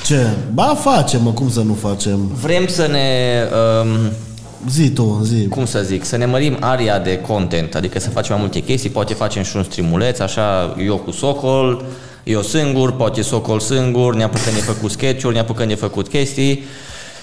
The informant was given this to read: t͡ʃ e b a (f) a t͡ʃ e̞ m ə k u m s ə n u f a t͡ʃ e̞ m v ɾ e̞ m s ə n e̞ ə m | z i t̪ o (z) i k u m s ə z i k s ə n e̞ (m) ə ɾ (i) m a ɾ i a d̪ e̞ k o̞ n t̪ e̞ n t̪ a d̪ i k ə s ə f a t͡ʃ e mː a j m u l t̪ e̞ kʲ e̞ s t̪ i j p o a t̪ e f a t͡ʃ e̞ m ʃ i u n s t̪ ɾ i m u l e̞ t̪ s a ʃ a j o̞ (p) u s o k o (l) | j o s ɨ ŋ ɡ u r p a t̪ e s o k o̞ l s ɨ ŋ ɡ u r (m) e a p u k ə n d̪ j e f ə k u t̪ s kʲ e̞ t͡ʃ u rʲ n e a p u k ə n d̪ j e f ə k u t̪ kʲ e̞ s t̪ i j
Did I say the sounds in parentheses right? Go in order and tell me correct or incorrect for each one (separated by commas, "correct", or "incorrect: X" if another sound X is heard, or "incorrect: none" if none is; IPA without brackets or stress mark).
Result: correct, correct, correct, correct, incorrect: k, correct, incorrect: n